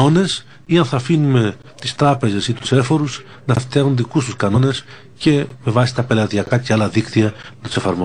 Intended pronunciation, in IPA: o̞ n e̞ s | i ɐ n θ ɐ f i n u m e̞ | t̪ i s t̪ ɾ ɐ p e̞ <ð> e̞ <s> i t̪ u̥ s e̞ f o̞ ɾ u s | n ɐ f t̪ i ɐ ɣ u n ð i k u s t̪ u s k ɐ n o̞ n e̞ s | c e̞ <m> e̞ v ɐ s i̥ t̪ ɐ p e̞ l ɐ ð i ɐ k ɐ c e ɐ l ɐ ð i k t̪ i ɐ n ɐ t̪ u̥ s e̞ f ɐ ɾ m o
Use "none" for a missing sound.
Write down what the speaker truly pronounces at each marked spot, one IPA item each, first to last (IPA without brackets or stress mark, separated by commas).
z, s, m